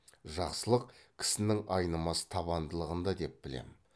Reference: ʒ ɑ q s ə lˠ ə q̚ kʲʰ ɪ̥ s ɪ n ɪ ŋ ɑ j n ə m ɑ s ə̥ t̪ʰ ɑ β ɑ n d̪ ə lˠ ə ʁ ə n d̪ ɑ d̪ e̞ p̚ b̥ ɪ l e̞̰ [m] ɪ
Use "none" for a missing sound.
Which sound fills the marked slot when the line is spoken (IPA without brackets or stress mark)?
m